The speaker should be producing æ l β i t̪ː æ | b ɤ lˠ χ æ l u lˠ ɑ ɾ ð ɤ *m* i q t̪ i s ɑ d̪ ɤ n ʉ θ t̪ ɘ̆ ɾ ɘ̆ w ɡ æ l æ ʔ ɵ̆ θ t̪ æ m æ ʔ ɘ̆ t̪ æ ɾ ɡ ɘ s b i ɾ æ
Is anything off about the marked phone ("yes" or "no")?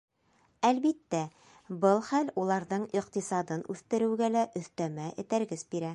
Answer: yes